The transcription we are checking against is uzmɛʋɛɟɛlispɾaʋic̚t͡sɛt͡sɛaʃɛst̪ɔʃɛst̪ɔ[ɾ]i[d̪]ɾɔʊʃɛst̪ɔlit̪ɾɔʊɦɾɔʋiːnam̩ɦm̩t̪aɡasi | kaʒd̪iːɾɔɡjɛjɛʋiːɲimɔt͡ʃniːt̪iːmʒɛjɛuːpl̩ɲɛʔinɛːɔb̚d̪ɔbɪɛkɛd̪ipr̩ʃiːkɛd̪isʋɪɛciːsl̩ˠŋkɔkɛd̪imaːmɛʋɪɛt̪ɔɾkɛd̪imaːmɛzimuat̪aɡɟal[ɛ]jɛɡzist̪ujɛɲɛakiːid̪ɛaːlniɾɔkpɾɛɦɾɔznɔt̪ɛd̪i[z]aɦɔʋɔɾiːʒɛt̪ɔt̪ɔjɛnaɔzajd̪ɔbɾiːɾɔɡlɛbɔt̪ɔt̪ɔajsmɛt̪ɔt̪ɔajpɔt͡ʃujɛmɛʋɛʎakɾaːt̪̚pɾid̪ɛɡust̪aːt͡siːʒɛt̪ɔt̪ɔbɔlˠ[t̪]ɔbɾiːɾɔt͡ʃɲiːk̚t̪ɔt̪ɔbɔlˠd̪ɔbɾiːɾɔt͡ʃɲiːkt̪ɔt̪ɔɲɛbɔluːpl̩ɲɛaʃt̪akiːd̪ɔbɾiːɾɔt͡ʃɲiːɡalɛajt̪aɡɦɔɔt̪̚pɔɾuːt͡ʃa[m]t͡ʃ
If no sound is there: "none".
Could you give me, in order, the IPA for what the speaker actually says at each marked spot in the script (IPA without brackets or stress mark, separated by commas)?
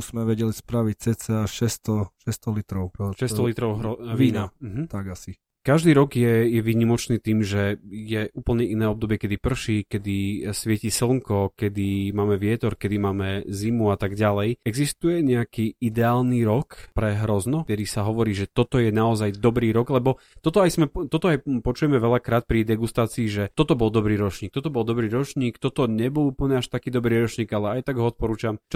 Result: l, t̪, ɛ, s, d̪, m